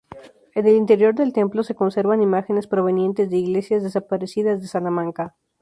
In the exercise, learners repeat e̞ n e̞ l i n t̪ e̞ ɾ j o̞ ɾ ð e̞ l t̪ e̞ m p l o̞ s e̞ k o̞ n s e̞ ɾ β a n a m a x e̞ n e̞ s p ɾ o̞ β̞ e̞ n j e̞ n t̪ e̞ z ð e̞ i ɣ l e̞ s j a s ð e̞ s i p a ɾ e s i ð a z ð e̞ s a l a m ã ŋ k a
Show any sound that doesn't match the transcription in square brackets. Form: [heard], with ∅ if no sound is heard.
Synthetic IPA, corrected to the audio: e̞ n e̞ l i n t̪ e̞ ɾ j o̞ ɾ ð e̞ l t̪ e̞ m p l o̞ s e̞ k o̞ n s e̞ ɾ β a n [i] m a x e̞ n e̞ s p ɾ o̞ β̞ e̞ n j e̞ n t̪ e̞ z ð e̞ i ɣ l e̞ s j a [z] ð e̞ s [a] p a ɾ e s i ð a z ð e̞ s a l a m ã ŋ k a